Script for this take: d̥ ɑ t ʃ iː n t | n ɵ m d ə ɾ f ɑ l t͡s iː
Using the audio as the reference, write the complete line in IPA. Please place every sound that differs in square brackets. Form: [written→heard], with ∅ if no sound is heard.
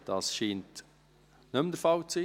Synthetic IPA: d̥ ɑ [t→s] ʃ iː n t | n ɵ m d ə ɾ f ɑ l t͡s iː